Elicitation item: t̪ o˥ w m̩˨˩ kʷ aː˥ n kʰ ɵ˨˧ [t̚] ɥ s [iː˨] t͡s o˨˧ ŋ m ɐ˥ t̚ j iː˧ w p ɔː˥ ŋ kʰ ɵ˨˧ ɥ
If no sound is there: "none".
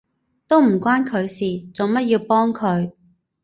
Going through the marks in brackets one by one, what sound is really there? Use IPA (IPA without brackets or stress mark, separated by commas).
none, iː˨